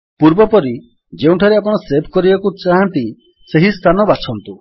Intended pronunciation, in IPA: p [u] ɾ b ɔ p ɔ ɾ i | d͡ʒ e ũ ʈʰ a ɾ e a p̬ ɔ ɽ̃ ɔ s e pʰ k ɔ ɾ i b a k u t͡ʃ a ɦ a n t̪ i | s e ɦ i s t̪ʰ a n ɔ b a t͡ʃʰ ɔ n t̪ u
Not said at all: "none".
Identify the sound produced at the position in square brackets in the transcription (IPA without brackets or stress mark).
u